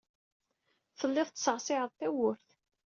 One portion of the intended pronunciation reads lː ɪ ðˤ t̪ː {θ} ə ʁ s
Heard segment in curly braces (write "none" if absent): s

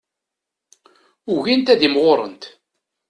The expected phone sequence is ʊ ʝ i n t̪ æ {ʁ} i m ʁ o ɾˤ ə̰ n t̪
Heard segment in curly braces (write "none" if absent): ð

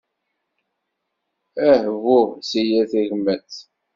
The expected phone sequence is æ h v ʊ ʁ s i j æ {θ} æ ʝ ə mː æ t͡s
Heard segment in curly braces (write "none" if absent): θ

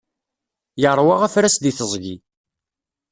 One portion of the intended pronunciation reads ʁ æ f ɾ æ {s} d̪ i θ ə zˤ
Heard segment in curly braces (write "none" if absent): s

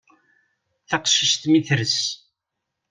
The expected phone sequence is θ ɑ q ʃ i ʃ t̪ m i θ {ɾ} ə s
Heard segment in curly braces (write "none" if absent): ɾ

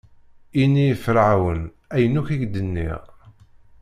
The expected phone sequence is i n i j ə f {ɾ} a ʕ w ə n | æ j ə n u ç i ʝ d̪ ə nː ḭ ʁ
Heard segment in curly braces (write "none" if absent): ɾ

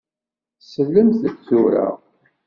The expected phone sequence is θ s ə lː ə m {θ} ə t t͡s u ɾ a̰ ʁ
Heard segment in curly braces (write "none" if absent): θ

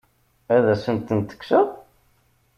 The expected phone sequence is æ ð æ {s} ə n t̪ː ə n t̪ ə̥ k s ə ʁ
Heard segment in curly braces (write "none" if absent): s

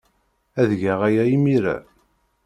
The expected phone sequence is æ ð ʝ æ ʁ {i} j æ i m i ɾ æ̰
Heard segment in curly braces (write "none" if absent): æ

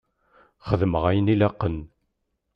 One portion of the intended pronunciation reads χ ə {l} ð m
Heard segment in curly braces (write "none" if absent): none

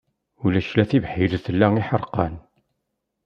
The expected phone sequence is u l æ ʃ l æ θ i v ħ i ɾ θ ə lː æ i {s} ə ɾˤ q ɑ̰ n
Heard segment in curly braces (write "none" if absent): ħ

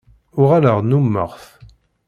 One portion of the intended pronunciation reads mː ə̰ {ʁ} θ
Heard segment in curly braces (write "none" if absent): ʁ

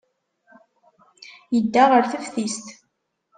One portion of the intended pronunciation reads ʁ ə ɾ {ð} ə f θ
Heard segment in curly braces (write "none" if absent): θ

